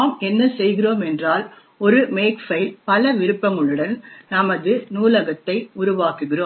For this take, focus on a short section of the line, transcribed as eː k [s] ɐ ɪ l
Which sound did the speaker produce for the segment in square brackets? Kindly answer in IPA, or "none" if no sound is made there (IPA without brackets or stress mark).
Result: f